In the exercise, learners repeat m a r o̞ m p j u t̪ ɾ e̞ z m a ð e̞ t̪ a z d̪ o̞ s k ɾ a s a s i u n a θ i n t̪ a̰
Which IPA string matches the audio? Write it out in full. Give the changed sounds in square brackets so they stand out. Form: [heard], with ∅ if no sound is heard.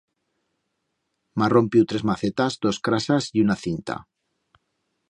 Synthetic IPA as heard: m a r o̞ m p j u t̪ ɾ e̞ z m a [θ] e̞ t̪ a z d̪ o̞ s k ɾ a s a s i u n a θ i n t̪ a̰